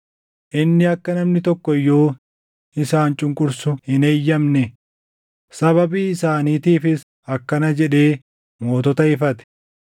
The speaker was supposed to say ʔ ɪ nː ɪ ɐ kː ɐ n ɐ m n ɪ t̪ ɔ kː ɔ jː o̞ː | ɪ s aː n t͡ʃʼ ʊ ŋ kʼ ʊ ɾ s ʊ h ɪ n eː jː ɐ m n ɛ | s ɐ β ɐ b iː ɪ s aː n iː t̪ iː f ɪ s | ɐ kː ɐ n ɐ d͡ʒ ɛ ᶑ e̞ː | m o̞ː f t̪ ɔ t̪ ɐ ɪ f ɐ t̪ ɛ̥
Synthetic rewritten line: ʔ ɪ nː ɪ ɐ kː ɐ n ɐ m n ɪ t̪ ɔ kː ɔ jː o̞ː | ɪ s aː n t͡ʃʼ ʊ ŋ kʼ ʊ ɾ s ʊ h ɪ n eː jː ɐ m n ɛ | s ɐ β ɐ b iː ɪ s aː n iː t̪ iː f ɪ s | ɐ kː ɐ n ɐ d͡ʒ ɛ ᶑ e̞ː | m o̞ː t̪ ɔ t̪ ɐ ɪ f ɐ t̪ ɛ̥

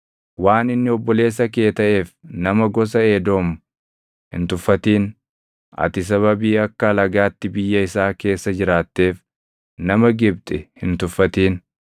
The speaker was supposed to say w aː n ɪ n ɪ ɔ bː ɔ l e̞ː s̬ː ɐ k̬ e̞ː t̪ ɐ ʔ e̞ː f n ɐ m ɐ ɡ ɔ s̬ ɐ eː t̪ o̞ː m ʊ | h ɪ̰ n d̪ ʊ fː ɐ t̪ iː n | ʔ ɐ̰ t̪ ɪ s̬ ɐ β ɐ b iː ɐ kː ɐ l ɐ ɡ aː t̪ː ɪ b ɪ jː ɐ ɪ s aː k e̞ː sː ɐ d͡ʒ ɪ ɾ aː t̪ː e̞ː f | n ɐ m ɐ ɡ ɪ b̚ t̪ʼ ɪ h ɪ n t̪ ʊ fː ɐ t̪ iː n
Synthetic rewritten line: w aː n ɪ nː ɪ ɔ bː ɔ l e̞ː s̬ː ɐ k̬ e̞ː t̪ ɐ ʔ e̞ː f n ɐ m ɐ ɡ ɔ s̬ ɐ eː d̪ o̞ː m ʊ | h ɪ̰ n t̪ ʊ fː ɐ t̪ iː n | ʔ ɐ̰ t̪ ɪ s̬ ɐ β ɐ b iː ɐ kː ɐ l ɐ ɡ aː t̪ː ɪ b ɪ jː ɐ ɪ s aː k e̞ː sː ɐ d͡ʒ ɪ ɾ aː t̪ː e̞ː f | n ɐ m ɐ ɡ ɪ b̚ t̪ʼ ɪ h ɪ n t̪ ʊ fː ɐ t̪ iː n

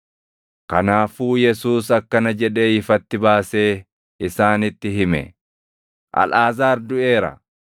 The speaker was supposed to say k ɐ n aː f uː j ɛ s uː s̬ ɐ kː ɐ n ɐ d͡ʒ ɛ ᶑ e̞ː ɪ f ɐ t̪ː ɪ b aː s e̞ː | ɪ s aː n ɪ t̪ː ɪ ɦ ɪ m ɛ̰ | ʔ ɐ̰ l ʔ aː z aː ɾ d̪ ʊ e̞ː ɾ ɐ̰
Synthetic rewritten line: k ɐ n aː f uː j ɛ s uː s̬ ɐ kː ɐ n ɐ d͡ʒ ɛ ᶑ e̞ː ɪ f ɐ t̪ː ɪ b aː s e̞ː | ɪ s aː n ɪ t̪ː ɪ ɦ ɪ m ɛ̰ | ʔ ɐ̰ l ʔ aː z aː ɾ d̪ ʊ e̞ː ɾ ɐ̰

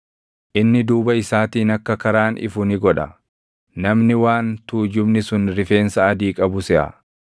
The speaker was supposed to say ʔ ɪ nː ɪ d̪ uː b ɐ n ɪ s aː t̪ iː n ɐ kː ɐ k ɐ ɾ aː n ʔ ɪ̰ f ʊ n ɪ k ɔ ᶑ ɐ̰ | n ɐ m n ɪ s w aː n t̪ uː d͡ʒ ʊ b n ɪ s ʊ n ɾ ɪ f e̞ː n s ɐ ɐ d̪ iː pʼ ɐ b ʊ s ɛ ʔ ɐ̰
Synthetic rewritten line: ʔ ɪ nː ɪ d̪ uː b ɐ ɪ s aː t̪ iː n ɐ kː ɐ k ɐ ɾ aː n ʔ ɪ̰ f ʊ n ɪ ɡ ɔ ᶑ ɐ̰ | n ɐ m n ɪ w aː n t̪ uː d͡ʒ ʊ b n ɪ s ʊ n ɾ ɪ f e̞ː n s ɐ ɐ d̪ iː kʼ ɐ b ʊ s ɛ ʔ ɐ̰

